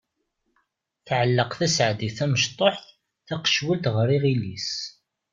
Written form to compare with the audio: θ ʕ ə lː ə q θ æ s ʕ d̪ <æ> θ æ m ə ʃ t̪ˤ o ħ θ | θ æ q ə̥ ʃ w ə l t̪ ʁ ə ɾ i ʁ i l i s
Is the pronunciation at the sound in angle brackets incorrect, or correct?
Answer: incorrect